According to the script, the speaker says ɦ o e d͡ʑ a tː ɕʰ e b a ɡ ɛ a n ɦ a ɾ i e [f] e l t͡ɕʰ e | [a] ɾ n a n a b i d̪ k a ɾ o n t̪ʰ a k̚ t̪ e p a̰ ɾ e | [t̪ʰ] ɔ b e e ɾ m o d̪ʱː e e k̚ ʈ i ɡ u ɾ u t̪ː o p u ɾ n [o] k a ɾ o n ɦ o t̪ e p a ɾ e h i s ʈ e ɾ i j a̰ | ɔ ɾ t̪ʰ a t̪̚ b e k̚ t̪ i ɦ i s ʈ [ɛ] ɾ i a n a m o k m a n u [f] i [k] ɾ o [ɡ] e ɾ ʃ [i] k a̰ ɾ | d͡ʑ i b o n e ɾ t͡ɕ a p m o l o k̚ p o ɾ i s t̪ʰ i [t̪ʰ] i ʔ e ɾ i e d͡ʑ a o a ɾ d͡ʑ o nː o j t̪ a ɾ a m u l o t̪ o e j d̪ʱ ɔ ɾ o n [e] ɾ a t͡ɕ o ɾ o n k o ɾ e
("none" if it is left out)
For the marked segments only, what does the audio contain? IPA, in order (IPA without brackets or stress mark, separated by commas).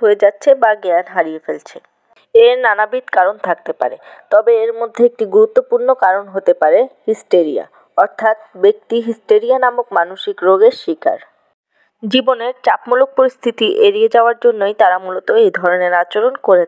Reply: f, e, t̪, o, e, ʃ, k, ɡ, i, t̪, e